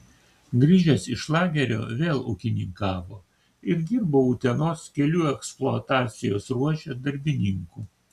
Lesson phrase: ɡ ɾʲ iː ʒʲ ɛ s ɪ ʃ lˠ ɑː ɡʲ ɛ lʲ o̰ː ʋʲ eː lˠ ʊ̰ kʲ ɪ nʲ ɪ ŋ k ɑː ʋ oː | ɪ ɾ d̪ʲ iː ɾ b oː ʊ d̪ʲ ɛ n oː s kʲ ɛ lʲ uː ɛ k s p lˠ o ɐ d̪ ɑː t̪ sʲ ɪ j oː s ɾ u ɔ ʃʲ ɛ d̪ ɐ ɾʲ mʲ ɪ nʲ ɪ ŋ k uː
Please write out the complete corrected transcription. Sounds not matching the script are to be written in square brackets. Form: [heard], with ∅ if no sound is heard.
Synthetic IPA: ɡ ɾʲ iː ʒʲ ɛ s ɪ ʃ lˠ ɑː ɡʲ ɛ [ɾʲ] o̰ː ʋʲ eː lˠ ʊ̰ kʲ ɪ nʲ ɪ ŋ k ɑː ʋ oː | ɪ ɾ d̪ʲ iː ɾ b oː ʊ [t̪ʲ] ɛ n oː s kʲ ɛ lʲ uː ɛ k s p lˠ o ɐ [t̪] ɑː t̪ sʲ ɪ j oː s ɾ u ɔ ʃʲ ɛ d̪ ɐ ɾʲ [bʲ] ɪ nʲ ɪ ŋ k uː